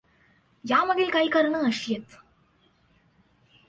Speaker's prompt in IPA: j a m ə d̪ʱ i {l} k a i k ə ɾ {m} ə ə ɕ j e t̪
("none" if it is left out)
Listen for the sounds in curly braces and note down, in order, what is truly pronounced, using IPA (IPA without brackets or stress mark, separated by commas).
l, ɳ